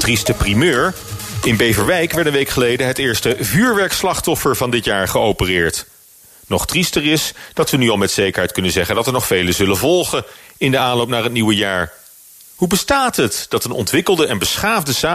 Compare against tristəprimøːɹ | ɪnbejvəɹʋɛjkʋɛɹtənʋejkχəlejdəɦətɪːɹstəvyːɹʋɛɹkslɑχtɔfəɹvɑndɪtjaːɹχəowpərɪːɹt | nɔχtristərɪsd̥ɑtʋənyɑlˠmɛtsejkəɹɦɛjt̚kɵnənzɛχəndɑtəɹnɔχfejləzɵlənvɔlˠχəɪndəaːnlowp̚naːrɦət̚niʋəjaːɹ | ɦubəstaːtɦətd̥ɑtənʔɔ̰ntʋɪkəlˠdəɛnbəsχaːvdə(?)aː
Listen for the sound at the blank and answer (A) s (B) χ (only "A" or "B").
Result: A